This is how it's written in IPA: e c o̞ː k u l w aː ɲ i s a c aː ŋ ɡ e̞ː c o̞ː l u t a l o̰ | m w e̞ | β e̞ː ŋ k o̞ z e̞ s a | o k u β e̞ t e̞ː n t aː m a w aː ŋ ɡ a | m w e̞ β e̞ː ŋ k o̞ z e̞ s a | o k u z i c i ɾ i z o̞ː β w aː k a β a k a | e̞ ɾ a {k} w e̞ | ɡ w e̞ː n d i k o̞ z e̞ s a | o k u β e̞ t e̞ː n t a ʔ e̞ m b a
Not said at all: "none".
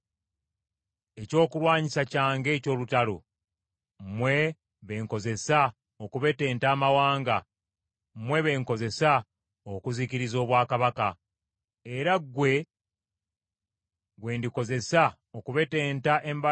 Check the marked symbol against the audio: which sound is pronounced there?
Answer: ɡ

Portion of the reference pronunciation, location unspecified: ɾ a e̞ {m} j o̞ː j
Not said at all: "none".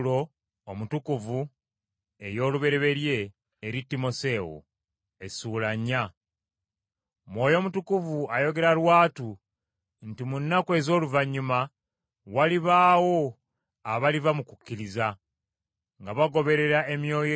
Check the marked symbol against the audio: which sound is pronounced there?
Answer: m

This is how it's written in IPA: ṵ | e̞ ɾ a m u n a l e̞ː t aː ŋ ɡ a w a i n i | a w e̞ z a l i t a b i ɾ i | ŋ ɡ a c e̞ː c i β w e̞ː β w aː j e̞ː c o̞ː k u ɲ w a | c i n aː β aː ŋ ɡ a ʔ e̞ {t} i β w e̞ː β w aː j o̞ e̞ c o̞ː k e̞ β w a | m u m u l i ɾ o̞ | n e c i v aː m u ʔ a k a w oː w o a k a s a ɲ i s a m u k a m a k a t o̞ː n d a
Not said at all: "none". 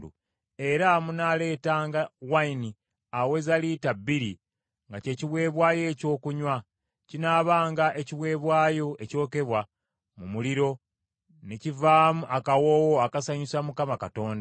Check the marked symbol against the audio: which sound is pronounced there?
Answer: c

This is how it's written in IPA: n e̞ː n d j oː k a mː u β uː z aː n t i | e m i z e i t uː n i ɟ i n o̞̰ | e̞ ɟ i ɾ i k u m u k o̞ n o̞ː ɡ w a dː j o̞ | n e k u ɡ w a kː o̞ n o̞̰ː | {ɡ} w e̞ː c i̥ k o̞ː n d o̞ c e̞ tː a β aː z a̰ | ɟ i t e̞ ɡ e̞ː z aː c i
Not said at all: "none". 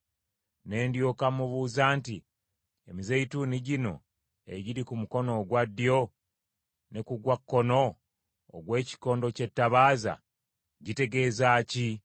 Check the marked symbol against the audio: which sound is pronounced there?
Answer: ɡ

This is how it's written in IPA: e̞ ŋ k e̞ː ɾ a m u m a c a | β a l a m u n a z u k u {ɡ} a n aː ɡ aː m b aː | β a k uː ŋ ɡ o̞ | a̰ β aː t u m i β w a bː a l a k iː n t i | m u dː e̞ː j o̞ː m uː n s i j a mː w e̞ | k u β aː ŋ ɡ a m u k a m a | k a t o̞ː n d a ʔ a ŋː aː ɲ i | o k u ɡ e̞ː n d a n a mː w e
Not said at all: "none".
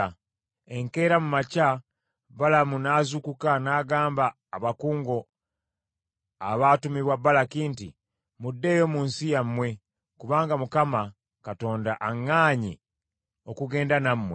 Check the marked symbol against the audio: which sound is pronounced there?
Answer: k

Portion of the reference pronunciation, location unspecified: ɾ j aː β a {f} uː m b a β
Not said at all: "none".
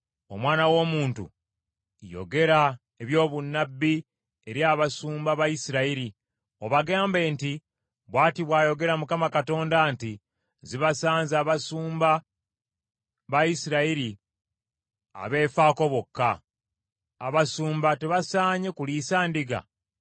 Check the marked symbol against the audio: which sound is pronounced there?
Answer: s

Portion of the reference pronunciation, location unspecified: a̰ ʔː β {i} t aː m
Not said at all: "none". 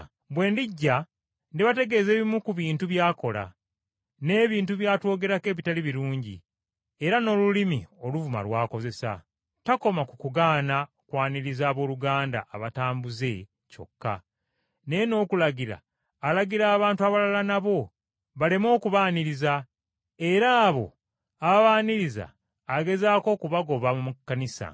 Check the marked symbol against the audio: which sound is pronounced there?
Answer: a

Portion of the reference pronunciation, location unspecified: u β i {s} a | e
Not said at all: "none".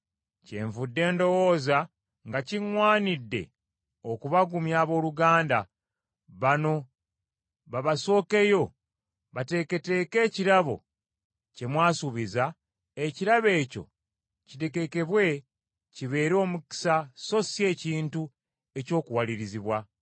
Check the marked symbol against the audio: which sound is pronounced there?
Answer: z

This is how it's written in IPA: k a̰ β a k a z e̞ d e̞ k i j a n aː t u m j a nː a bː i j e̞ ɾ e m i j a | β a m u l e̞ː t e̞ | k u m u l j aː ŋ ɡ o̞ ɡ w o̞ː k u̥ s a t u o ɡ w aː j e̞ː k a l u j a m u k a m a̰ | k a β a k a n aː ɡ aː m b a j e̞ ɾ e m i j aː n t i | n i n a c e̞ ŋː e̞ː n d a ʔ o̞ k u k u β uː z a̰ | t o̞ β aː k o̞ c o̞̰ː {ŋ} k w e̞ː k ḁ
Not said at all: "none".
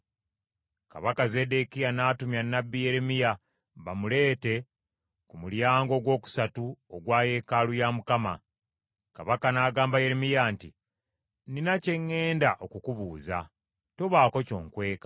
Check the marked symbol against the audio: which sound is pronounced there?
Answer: ŋ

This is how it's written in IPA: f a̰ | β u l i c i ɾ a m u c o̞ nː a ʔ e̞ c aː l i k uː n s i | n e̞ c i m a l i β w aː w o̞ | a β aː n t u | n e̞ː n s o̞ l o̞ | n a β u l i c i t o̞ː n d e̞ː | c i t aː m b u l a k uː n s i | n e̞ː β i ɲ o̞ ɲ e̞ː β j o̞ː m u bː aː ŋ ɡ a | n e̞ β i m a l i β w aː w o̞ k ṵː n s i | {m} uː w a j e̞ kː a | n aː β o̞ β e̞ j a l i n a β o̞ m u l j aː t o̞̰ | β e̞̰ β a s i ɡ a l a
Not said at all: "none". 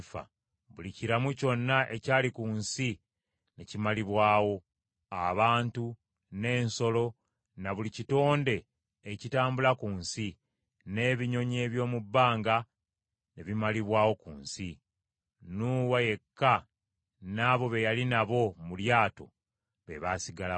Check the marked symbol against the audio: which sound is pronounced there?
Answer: n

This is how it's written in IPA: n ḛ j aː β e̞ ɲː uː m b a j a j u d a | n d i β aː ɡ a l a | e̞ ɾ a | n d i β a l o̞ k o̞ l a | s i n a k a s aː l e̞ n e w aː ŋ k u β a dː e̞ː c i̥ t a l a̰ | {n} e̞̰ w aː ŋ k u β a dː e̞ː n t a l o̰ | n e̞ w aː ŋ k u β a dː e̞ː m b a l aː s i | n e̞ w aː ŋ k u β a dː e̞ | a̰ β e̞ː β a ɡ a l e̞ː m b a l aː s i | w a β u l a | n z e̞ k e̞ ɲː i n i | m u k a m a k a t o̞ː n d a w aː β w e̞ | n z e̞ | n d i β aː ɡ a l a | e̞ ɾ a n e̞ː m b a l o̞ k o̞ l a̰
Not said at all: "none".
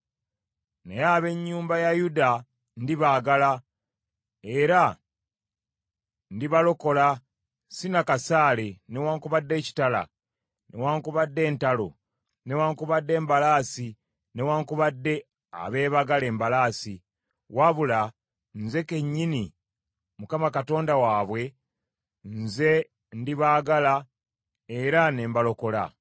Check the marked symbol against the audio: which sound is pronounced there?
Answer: n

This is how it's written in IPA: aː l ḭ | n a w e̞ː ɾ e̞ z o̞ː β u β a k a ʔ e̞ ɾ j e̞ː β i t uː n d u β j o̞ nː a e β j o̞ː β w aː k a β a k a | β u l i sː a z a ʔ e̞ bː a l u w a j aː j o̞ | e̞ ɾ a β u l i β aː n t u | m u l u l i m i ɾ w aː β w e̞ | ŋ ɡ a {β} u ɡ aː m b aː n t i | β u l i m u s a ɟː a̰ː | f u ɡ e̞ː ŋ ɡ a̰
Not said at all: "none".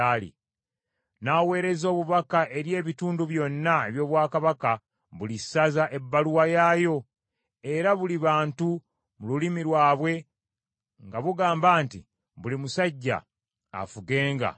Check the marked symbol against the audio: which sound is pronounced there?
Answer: β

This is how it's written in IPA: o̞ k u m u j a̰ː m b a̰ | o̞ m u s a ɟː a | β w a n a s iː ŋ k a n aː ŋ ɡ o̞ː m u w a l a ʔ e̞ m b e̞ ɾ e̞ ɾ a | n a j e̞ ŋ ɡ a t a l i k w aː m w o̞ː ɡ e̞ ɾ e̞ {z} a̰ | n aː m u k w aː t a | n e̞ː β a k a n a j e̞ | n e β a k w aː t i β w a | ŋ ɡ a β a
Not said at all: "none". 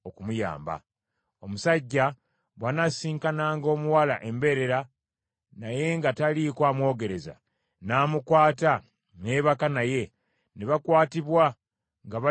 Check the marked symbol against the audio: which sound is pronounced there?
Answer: z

